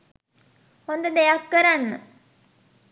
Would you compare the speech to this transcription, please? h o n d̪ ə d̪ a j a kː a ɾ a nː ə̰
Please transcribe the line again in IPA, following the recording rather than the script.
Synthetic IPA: h o n d̪ ə d̪ e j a kː ə ɾ a nː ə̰